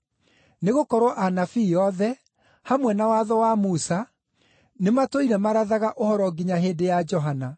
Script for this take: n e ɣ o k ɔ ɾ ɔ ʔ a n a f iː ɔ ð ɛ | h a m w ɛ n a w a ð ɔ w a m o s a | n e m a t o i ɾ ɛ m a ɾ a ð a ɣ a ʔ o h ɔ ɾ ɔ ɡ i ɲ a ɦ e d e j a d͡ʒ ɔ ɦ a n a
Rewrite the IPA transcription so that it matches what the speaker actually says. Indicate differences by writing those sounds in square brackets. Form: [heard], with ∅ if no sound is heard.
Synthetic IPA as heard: n e ɣ o k ɔ ɾ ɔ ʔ a n a f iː ɔ ð ɛ | h a m w ɛ n a w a ð ɔ w a m [u] s a | n e m a t o i ɾ ɛ m a ɾ a ð a ɣ a ʔ o h ɔ ɾ ɔ ɡ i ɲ a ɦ e d e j a d͡ʒ ɔ ɦ a n a

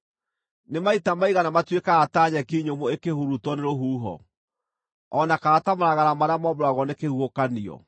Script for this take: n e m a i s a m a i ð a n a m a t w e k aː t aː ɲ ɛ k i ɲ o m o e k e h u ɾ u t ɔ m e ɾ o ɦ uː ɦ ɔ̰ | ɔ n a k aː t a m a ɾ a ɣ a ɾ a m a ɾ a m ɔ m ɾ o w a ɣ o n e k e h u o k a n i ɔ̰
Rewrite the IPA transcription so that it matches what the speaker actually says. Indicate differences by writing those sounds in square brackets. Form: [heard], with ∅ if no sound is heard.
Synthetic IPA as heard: n e m a i [t] a m a i [ɣ] a n a m a t w e k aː t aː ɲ ɛ k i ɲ o m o e k e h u ɾ u t ɔ [n] e ɾ o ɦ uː ɦ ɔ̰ | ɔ n a k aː t a m a ɾ a ɣ a ɾ a m a ɾ a m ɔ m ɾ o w a ɣ [ɔ] n e k e h u o k a n i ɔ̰

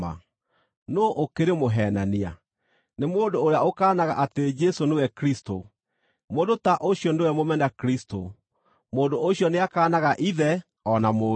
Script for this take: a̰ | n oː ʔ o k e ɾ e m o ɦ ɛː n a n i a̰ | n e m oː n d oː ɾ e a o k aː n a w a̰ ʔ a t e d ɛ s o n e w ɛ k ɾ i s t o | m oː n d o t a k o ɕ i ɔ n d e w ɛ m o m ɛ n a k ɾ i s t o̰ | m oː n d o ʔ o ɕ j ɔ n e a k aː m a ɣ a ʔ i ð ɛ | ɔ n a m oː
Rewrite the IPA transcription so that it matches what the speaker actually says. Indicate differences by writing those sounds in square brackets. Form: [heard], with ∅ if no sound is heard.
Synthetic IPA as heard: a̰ | n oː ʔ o k e ɾ e m o ɦ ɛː n a n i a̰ | n e m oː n d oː ɾ e a o k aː n a [ɣ] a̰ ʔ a t e [d͡ʒ] ɛ s o n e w ɛ k ɾ i s t o | m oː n d o t a [ʔ] o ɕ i ɔ n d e w ɛ m o m ɛ n a k ɾ i s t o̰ | m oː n d o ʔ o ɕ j ɔ n e a k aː [n] a ɣ a ʔ i ð ɛ | ɔ n a m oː

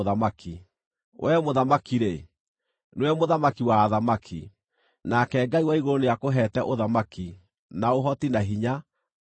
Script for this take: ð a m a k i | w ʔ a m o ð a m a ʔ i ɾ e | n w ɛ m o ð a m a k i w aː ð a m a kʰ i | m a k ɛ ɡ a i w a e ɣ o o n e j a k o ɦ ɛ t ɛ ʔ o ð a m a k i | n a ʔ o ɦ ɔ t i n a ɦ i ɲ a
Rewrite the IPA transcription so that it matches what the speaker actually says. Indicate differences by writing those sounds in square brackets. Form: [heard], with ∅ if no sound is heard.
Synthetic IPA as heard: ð a m a k i | w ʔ [ɛ] m o ð a m a [k] i ɾ e | n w ɛ m o ð a m a k i w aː ð a m a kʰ i | [n] a k ɛ ɡ a i w a [i] ɣ o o n e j a k o ɦ ɛ t ɛ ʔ o ð a m a k i | n a [∅] o ɦ ɔ t i n a ɦ i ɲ a

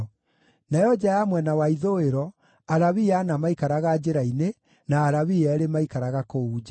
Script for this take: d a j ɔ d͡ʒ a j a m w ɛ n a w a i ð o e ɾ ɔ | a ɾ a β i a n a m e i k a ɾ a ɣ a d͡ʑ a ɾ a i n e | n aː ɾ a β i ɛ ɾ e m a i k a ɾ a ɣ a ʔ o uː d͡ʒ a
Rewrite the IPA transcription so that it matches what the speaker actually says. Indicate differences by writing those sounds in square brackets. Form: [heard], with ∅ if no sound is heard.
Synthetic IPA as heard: [n] a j ɔ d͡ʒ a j a m w ɛ n a w a i ð o e ɾ ɔ | a ɾ a β i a n a m [a] i k a ɾ a ɣ a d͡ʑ [e] ɾ a i n e | n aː ɾ a β i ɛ ɾ e m a i k a ɾ a ɣ a [k] o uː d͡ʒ a

